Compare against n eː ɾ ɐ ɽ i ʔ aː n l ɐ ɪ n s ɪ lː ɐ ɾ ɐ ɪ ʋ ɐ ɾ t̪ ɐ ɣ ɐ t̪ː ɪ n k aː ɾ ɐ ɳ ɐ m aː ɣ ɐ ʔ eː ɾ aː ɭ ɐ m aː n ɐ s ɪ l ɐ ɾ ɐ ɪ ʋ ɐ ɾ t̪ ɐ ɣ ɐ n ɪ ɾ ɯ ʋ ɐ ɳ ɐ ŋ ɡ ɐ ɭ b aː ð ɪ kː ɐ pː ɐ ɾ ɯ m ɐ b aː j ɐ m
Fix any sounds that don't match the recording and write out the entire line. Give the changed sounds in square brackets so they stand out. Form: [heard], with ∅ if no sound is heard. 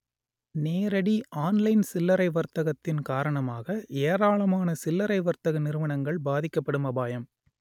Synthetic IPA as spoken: n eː ɾ ɐ ɽ i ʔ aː n l ɐ ɪ n s ɪ lː ɐ ɾ ɐ ɪ ʋ ɐ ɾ t̪ ɐ ɣ ɐ t̪ː ɪ n k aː ɾ ɐ ɳ ɐ m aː ɣ ɐ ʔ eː ɾ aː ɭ ɐ m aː n ɐ s ɪ [lː] ɐ ɾ ɐ ɪ ʋ ɐ ɾ t̪ ɐ ɣ ɐ n ɪ ɾ ɯ ʋ ɐ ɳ ɐ ŋ ɡ ɐ ɭ b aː ð ɪ kː ɐ pː ɐ [ɽ] ɯ m ɐ b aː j ɐ m